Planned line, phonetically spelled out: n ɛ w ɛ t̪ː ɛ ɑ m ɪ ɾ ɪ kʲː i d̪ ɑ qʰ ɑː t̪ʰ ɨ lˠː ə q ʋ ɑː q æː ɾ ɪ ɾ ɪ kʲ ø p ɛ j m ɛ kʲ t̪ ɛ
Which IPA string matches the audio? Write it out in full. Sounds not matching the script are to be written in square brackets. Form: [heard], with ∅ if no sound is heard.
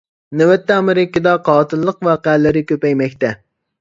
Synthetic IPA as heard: n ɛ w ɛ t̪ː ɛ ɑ m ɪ ɾ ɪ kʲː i d̪ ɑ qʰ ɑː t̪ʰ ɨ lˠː ə q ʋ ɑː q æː [l] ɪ ɾ ɪ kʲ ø p ɛ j m ɛ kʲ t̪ ɛ